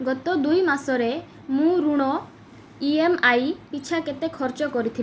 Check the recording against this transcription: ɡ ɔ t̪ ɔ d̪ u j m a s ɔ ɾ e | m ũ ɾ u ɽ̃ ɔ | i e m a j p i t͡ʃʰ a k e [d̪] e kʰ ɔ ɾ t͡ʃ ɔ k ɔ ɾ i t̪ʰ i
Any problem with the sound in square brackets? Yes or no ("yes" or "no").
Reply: yes